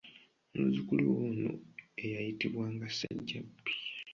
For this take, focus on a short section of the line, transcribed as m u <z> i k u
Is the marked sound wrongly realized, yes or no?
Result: no